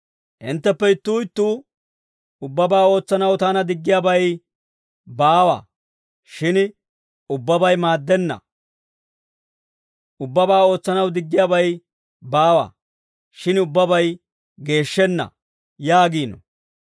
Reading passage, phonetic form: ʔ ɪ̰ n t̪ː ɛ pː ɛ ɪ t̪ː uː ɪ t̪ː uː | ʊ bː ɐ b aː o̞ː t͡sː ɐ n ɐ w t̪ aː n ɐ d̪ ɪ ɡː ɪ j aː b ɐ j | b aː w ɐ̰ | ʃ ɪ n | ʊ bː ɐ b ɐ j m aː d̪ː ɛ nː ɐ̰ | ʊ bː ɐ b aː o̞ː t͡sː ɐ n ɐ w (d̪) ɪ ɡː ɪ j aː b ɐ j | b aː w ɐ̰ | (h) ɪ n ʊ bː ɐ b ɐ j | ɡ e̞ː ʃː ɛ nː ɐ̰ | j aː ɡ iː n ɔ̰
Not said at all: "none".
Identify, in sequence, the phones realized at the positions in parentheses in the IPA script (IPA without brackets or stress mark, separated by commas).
d̪, ʃ